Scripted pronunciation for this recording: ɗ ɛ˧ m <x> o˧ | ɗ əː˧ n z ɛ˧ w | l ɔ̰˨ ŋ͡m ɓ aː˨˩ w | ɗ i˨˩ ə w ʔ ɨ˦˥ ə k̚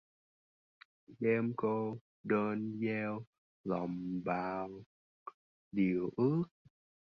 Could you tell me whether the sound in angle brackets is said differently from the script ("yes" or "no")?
yes